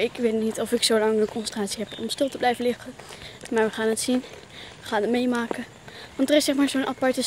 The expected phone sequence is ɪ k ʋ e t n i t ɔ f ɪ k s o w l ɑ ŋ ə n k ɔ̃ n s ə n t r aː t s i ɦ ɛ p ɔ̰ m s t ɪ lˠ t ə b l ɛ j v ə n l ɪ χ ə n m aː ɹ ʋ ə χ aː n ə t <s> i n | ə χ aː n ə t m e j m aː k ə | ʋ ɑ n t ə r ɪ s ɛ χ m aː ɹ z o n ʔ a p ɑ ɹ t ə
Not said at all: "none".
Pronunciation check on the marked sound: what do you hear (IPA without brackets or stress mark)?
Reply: s